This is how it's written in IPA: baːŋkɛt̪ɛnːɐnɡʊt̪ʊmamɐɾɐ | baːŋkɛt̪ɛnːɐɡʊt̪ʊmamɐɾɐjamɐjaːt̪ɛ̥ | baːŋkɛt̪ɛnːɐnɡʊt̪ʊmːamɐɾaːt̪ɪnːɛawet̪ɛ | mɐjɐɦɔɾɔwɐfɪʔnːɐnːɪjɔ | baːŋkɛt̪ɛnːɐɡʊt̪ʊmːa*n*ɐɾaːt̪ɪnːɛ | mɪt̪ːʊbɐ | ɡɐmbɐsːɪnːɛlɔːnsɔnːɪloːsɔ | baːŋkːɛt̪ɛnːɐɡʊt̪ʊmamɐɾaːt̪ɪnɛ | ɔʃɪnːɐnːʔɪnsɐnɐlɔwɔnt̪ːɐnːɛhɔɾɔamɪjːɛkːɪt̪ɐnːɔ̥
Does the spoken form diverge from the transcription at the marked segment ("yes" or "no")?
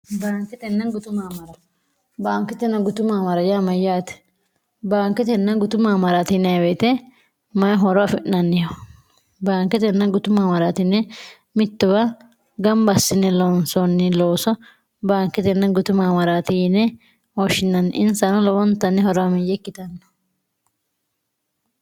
yes